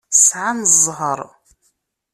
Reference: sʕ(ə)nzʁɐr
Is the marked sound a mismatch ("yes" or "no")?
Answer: yes